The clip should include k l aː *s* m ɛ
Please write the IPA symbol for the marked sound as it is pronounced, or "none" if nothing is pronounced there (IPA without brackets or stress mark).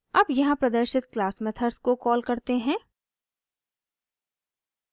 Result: s